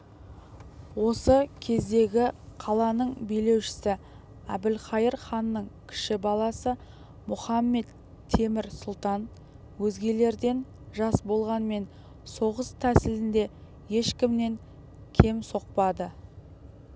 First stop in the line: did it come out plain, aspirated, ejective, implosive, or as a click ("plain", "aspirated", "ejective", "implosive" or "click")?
aspirated